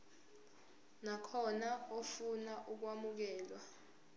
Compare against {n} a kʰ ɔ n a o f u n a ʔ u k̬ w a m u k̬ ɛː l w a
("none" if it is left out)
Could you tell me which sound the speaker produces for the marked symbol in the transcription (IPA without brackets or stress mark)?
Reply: n